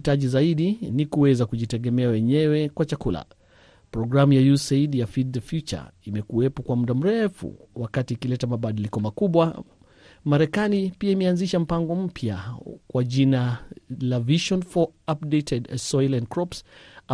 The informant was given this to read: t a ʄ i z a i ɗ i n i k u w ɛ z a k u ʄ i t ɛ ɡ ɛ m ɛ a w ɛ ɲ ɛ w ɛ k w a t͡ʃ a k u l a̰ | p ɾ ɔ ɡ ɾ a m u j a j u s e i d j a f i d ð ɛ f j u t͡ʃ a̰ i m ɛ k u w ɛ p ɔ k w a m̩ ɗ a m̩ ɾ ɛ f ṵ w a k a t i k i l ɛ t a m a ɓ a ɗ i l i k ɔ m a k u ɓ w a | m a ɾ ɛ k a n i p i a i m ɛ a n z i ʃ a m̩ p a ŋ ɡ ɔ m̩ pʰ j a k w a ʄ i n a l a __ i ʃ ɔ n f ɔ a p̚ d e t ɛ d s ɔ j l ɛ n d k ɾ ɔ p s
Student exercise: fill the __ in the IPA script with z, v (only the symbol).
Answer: v